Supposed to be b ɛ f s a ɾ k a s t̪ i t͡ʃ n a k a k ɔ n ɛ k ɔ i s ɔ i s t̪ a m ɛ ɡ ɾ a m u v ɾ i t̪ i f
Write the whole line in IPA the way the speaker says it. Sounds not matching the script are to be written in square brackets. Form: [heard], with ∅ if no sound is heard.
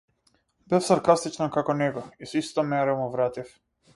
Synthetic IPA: b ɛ f s a ɾ k a s t̪ i t͡ʃ n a k a k ɔ n ɛ [ɡ] ɔ i s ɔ i s t̪ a m ɛ [∅] ɾ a m u v ɾ [a] t̪ i f